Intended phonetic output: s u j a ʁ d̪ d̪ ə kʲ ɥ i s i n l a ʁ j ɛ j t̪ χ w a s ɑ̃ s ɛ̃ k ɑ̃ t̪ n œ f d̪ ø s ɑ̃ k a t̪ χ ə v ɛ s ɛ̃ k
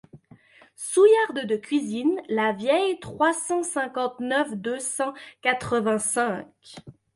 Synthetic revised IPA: s u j a ʁ d̪ d̪ ə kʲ ɥ i z i n l a v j ɛ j t̪ χ w a s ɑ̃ s ɛ̃ k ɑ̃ t̪ n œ f d̪ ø s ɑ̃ k a t̪ χ ə v ɛ̃ s ɛ̃ k